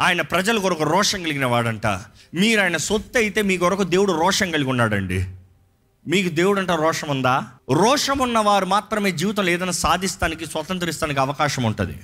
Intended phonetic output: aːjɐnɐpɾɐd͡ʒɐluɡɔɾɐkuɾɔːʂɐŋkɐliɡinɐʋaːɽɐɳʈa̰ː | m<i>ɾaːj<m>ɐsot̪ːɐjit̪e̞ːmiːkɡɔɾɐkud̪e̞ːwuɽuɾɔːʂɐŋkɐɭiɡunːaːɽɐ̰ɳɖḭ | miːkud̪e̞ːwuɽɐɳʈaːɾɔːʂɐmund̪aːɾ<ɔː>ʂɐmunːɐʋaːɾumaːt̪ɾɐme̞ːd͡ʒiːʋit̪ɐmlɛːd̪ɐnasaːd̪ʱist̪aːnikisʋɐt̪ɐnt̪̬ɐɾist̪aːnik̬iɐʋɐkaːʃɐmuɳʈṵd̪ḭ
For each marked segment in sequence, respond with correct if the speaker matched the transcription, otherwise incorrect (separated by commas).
incorrect, incorrect, correct